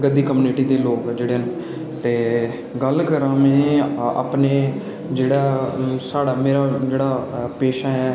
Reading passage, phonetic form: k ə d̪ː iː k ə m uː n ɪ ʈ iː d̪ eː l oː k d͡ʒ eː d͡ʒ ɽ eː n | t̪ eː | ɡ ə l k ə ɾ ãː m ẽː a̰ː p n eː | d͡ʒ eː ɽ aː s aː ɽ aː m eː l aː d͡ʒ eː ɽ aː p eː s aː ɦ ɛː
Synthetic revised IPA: ɡ ə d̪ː iː k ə m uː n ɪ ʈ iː d̪ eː l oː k d͡ʒ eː ɽ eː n | t̪ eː | ɡ ə l k ə ɾ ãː m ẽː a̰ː p n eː | d͡ʒ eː ɽ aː s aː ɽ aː m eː ɾ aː d͡ʒ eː ɽ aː p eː ʃ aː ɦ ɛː